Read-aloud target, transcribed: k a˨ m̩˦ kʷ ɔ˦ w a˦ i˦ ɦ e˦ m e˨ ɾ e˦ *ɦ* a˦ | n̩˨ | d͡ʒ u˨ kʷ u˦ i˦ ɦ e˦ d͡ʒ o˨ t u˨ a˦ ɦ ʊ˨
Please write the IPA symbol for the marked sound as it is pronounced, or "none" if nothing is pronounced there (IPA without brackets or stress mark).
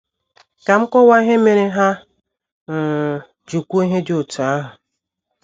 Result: ɦ